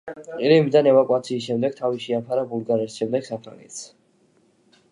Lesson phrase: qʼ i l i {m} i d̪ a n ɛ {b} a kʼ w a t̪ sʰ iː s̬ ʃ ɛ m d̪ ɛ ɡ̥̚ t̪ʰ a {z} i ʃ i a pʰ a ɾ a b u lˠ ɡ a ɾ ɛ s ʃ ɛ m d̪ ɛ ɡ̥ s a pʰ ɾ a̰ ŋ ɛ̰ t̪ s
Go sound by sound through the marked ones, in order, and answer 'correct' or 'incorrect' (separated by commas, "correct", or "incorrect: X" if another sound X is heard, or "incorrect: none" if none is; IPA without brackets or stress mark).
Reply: correct, incorrect: v, incorrect: v